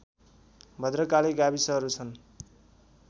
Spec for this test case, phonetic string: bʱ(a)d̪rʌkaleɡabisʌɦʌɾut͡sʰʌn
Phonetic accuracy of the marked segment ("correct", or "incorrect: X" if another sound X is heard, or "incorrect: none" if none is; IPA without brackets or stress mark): incorrect: ʌ